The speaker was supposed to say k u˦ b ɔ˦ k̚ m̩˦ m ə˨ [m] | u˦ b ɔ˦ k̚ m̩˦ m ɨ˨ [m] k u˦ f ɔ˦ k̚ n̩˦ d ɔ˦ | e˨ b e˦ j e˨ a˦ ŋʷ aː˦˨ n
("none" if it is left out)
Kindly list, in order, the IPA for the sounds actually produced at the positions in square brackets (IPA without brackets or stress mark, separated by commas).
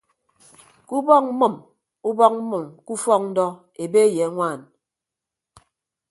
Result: m, m